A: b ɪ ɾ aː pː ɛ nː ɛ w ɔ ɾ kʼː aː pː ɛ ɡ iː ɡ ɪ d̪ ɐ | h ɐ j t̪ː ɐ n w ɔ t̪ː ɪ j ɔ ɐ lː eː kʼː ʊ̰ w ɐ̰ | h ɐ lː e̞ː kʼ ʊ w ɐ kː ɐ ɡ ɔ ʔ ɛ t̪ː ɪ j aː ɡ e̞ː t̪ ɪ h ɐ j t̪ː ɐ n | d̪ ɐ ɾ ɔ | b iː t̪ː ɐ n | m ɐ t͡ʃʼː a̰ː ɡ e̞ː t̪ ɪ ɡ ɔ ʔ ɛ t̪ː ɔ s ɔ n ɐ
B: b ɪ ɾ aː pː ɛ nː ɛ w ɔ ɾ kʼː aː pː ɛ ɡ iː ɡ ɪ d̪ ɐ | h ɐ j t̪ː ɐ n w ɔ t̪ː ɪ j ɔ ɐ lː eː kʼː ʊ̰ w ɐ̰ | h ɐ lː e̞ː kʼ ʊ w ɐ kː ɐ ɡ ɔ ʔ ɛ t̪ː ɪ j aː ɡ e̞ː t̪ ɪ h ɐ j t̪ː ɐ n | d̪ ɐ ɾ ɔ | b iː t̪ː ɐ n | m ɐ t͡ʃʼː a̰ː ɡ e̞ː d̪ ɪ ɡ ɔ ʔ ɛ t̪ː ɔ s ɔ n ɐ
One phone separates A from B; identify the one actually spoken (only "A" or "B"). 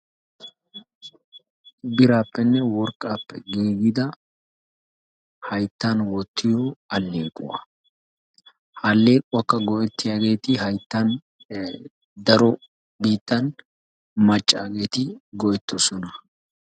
A